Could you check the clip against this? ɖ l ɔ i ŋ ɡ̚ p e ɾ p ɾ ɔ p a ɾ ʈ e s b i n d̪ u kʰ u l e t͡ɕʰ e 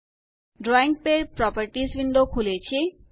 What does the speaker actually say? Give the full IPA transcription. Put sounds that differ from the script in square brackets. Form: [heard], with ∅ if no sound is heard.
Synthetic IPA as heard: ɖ [ɾ] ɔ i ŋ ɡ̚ p e ɾ p ɾ ɔ p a ɾ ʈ [i] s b i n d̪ [o] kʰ u l e t͡ɕʰ e